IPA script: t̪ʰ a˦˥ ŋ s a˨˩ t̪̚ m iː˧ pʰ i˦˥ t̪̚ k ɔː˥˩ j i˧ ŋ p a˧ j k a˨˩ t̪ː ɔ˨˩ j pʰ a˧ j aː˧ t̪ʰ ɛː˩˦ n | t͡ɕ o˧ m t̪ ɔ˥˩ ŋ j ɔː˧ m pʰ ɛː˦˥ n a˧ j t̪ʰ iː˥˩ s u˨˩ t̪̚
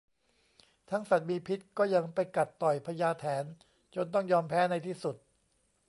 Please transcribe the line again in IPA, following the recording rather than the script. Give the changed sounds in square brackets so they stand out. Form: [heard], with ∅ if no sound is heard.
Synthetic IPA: t̪ʰ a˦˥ ŋ s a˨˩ t̪̚ m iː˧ pʰ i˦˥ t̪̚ k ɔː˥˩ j [a˧] ŋ p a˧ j k a˨˩ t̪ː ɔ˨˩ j pʰ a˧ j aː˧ t̪ʰ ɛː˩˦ n | t͡ɕ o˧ [n] t̪ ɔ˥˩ ŋ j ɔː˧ m pʰ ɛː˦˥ n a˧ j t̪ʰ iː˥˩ s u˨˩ t̪̚